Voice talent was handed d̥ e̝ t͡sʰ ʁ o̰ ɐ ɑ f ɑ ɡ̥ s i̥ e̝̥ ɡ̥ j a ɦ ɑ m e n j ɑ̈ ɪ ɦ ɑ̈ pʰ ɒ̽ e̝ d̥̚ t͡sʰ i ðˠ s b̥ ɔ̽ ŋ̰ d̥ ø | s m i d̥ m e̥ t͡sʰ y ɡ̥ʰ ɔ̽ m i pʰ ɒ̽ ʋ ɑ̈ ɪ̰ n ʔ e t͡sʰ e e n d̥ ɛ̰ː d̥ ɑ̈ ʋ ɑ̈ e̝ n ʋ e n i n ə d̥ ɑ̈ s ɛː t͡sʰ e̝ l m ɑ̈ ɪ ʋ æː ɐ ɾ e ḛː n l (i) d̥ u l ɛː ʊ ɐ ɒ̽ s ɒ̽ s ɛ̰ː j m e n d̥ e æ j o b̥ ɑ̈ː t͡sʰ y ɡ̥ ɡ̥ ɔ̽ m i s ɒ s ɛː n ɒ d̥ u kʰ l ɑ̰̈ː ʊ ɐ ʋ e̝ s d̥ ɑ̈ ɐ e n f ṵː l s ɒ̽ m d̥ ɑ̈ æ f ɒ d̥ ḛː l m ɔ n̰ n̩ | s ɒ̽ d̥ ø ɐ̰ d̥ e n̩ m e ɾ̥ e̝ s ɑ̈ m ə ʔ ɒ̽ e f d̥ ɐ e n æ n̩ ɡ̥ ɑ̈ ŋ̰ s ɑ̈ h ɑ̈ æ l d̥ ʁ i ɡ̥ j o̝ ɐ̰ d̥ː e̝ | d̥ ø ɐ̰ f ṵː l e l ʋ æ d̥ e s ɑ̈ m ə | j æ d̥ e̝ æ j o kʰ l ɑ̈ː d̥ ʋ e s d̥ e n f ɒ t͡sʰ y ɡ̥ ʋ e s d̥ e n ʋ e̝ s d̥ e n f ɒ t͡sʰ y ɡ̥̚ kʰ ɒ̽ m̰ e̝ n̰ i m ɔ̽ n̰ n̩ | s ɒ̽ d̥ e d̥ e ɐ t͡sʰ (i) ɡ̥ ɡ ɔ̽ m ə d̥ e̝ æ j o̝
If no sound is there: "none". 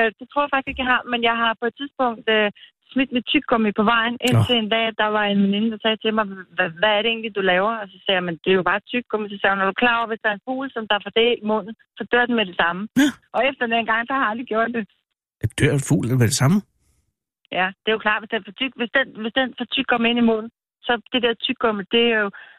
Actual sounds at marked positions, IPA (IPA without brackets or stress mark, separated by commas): i, y